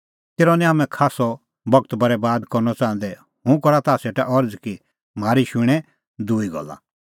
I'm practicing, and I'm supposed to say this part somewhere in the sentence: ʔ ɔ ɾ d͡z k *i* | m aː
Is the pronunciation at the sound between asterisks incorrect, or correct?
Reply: correct